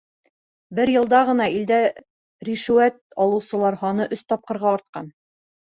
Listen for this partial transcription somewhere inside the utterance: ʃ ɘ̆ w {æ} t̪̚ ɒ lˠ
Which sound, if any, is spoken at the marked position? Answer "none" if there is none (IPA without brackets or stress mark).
æ